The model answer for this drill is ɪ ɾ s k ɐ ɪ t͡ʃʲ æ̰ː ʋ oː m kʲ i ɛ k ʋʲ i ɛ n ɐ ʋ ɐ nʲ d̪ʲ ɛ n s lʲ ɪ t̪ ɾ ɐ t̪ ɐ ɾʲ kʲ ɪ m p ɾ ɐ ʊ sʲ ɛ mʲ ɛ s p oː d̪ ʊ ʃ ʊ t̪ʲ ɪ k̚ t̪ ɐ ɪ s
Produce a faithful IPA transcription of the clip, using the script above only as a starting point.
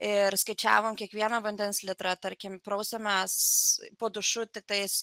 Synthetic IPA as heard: ɪ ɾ s k ɐ ɪ t͡ʃʲ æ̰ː ʋ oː m kʲ i ɛ k ʋʲ i ɛ n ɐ ʋ ɐ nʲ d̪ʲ ɛ n s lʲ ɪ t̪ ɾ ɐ t̪ ɐ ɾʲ kʲ ɪ m p ɾ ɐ ʊ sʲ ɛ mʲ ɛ s p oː d̪ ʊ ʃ ʊ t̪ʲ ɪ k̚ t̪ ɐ ɪ s